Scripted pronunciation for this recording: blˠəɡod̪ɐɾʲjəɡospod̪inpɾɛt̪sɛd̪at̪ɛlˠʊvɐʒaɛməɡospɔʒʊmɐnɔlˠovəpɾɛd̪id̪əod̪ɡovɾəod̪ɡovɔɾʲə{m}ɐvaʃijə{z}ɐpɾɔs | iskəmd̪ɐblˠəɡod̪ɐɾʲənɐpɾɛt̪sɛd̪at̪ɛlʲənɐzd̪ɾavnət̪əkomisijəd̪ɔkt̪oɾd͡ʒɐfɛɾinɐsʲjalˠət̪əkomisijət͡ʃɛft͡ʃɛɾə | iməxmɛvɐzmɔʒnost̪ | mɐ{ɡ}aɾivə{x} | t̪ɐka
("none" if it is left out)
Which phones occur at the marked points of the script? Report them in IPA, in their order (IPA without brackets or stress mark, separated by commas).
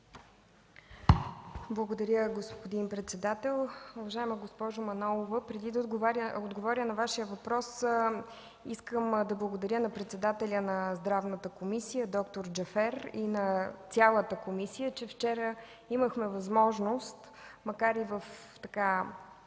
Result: n, v, k, f